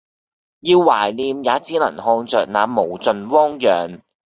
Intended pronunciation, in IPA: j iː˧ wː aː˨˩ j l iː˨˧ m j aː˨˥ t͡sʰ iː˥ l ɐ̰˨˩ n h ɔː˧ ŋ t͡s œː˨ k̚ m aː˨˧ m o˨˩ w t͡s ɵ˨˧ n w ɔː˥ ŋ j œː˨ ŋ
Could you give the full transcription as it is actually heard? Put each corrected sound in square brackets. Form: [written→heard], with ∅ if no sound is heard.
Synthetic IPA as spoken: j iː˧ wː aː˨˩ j l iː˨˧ m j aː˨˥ [t͡sʰ→t͡s] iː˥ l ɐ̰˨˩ n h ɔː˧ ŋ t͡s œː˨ k̚ [m→n] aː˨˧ m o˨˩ w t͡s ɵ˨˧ n w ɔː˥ ŋ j œː˨ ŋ